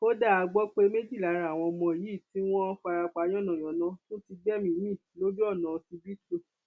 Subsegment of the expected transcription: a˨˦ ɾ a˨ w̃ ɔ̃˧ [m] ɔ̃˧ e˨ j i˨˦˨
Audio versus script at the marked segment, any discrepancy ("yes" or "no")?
no